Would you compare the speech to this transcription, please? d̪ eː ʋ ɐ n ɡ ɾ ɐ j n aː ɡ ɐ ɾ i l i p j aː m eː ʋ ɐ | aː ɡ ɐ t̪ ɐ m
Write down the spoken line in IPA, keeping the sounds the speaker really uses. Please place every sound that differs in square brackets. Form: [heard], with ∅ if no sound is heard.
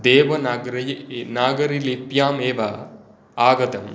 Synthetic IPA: d̪ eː ʋ ɐ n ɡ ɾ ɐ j n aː ɡ ɐ ɾ i l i p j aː m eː ʋ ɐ | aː ɡ ɐ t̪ ɐ m